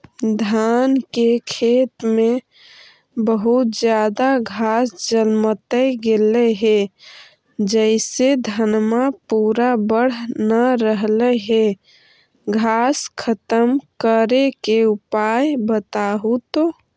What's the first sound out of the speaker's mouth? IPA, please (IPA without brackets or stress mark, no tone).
d̪ʱ